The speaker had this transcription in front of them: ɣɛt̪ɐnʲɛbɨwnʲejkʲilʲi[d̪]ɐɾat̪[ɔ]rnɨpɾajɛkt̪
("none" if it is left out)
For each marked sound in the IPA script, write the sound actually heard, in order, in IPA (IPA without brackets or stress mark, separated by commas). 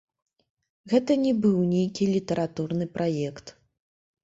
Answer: t̪, u